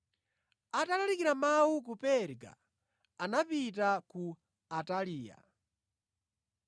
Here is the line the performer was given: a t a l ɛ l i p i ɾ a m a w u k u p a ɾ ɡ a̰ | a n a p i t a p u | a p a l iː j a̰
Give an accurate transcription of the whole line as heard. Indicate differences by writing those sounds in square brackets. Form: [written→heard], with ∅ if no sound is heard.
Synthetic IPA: a t a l [ɛ→a] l i [p→k] i ɾ a m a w u k u p [a→ɛ] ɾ ɡ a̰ | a n a p i t a [p→k] u | a [p→t] a l iː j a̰